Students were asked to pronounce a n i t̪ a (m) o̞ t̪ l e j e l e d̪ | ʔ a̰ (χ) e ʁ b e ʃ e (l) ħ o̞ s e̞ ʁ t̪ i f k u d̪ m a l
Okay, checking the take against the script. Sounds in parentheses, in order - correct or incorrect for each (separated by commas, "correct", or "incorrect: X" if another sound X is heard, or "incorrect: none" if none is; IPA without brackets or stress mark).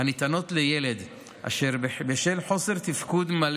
incorrect: n, incorrect: ʃ, correct